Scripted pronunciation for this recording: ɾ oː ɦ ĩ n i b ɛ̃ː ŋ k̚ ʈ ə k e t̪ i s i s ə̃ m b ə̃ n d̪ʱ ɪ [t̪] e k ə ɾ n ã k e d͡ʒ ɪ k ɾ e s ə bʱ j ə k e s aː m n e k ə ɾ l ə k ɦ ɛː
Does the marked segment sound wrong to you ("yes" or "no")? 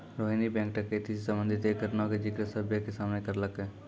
no